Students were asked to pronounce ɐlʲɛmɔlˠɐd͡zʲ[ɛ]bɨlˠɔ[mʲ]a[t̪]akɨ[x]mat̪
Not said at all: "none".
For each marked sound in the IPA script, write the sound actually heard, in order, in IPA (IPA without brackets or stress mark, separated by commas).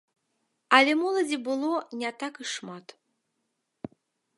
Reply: i, nʲ, t̪, ʂ